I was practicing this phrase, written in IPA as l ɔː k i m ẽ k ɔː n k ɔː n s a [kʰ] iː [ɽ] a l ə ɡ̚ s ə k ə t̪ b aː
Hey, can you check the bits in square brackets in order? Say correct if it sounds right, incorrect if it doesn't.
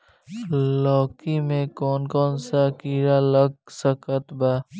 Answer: incorrect: k, incorrect: ɾ

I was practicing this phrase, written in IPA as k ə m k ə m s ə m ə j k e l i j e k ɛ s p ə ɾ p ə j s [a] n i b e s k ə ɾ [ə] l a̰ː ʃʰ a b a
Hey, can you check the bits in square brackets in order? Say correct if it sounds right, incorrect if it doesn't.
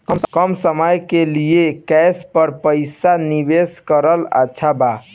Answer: correct, correct

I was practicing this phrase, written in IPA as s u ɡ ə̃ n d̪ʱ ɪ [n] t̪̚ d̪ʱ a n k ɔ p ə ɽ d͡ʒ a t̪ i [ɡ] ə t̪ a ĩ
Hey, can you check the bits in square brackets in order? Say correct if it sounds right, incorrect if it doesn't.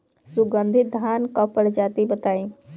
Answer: incorrect: none, incorrect: b

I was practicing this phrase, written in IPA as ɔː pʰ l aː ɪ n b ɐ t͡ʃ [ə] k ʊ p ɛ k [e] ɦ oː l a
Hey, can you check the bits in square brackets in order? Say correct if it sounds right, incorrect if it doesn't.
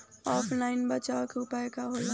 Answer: incorrect: a, incorrect: a

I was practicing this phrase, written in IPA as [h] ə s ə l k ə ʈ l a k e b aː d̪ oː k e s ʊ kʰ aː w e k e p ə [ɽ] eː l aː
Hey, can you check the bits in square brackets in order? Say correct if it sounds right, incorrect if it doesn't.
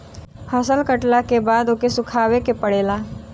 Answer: correct, correct

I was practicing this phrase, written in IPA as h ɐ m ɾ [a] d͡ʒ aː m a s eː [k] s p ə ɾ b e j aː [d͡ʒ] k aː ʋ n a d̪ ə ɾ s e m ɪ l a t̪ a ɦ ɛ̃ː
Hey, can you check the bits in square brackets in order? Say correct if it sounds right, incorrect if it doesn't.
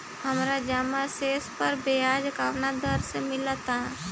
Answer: correct, incorrect: none, correct

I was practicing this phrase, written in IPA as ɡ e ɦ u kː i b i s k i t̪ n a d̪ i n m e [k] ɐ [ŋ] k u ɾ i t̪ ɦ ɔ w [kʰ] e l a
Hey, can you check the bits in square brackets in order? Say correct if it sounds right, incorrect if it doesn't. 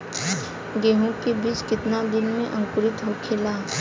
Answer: incorrect: ʔ, correct, correct

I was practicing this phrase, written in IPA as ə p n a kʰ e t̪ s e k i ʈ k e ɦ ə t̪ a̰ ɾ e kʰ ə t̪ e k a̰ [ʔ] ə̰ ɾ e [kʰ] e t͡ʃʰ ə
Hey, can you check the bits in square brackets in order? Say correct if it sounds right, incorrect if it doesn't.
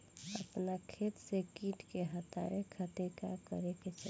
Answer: incorrect: k, incorrect: k

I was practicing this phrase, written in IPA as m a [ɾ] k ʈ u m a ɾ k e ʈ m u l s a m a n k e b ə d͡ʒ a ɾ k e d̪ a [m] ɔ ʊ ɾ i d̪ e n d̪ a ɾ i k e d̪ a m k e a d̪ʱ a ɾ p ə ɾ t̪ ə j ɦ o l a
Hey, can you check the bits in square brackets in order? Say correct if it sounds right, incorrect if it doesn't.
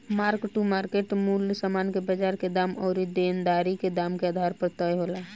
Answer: correct, correct

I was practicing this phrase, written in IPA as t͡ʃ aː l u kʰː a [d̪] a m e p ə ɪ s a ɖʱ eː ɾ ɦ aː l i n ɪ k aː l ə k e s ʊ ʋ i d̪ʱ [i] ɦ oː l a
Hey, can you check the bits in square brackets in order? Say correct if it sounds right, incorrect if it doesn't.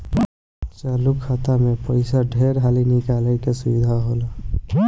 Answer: incorrect: t̪, incorrect: a

